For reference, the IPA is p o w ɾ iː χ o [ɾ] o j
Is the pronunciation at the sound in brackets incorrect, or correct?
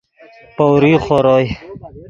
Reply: correct